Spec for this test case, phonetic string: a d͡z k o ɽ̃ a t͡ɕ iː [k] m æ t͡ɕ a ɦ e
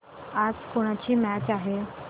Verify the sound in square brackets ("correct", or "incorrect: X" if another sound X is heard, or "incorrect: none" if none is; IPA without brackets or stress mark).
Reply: incorrect: none